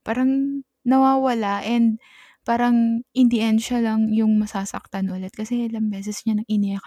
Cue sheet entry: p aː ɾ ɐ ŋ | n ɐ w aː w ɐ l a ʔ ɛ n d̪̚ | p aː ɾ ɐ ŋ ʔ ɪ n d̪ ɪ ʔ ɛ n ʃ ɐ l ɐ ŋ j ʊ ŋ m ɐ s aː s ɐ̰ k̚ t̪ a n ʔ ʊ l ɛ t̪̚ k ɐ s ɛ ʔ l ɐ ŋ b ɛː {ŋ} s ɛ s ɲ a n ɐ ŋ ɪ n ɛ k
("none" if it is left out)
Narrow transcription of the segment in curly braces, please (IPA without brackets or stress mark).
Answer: none